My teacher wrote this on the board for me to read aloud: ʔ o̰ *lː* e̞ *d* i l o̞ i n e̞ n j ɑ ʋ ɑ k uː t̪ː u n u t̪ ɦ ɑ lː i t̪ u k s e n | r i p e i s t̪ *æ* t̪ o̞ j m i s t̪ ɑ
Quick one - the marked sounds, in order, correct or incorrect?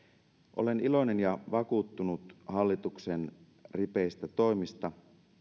incorrect: l, incorrect: n, correct

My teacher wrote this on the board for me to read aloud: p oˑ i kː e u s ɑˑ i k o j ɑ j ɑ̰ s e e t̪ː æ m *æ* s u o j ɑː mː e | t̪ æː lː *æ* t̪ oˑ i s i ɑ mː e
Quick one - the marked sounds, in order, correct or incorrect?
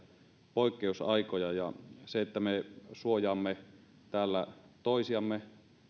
incorrect: e, correct

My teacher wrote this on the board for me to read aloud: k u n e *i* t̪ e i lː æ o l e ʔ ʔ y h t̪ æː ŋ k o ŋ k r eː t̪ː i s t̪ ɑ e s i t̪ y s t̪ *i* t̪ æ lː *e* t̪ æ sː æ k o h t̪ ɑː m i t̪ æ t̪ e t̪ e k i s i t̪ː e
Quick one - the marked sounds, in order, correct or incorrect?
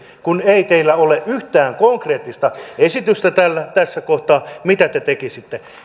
correct, incorrect: æ, incorrect: æ

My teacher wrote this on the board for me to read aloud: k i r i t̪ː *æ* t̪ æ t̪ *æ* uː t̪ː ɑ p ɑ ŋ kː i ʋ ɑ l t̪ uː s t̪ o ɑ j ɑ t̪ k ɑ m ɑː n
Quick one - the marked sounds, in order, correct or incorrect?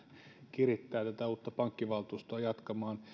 incorrect: æː, correct

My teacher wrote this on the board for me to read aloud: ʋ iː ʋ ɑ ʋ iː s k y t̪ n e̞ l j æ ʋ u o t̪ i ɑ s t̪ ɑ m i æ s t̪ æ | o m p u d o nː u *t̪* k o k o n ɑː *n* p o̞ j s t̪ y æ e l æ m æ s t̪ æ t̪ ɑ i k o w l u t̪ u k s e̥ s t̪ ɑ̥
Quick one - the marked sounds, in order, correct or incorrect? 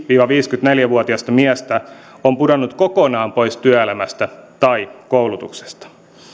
correct, incorrect: m

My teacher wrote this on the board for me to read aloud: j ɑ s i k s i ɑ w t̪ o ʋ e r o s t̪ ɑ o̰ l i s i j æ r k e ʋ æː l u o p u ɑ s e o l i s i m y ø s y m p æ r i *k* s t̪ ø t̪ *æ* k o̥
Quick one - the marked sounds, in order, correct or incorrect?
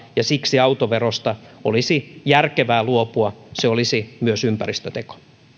incorrect: none, incorrect: e

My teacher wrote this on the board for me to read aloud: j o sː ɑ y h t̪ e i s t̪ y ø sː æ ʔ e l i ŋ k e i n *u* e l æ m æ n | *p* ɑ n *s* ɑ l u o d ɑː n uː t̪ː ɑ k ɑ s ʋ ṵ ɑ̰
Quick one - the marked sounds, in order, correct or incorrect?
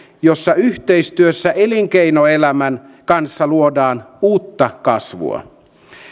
incorrect: o, incorrect: k, incorrect: sː

